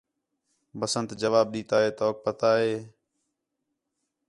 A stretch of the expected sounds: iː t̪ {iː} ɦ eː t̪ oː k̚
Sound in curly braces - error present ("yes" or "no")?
yes